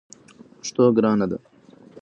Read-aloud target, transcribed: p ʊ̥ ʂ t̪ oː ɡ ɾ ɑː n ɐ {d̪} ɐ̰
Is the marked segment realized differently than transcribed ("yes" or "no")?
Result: no